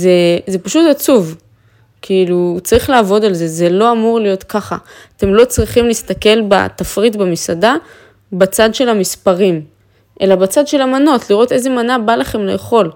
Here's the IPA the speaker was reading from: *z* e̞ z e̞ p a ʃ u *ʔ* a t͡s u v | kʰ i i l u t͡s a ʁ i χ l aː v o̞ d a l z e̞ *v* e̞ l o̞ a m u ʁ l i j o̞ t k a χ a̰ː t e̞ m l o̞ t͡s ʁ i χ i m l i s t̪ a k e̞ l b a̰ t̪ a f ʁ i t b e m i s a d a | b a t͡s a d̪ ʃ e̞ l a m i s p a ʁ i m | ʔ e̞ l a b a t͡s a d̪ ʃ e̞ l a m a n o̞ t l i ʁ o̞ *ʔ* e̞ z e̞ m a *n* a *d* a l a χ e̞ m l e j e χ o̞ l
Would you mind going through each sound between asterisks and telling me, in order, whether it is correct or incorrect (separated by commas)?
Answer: correct, incorrect, incorrect, incorrect, correct, incorrect